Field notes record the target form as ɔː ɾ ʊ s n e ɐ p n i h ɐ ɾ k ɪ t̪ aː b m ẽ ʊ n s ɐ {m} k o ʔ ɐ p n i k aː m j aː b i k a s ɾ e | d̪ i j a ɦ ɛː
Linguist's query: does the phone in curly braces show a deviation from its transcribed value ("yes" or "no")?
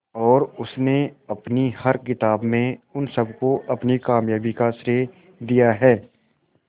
yes